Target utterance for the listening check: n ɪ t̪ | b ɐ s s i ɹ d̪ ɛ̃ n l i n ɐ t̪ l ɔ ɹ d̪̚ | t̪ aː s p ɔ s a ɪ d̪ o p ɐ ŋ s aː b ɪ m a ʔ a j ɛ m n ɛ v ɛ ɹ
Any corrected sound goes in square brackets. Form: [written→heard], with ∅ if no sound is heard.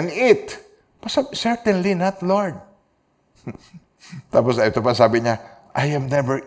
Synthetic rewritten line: n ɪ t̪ | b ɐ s s [i→ɛ] ɹ [d̪→t̪] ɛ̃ n l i n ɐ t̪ l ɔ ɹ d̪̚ | t̪ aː [s→∅] p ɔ s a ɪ [d̪→t̪] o p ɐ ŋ s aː b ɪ [m→ɲ] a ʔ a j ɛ m n ɛ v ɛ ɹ